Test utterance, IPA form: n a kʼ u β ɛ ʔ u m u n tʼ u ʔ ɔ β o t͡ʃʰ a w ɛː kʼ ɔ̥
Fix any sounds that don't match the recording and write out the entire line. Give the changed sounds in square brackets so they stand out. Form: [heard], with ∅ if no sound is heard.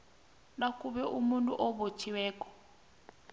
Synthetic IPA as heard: n a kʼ u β ɛ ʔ u m u n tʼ u ʔ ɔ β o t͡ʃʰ [i] w ɛː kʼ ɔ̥